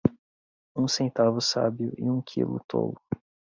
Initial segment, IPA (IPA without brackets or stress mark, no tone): ũ